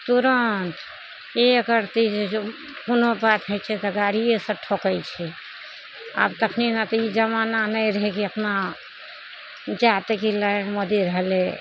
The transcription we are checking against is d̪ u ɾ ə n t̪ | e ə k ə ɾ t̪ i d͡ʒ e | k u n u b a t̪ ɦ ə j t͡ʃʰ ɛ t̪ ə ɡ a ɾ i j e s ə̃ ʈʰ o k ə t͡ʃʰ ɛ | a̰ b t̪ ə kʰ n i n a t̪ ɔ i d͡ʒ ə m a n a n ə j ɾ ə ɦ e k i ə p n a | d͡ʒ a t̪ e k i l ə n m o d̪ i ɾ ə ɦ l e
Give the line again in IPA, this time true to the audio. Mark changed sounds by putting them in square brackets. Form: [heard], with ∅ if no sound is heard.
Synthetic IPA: [t̪] u ɾ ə n t̪ | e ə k ə ɾ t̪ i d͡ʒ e | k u n [o] b a t̪ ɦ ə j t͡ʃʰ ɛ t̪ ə ɡ a ɾ i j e s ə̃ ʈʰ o k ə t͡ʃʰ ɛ | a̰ b t̪ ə kʰ n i n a t̪ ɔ i d͡ʒ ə m a n a n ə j ɾ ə ɦ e k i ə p n a | d͡ʒ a t̪ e k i l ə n m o d̪ i ɾ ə ɦ l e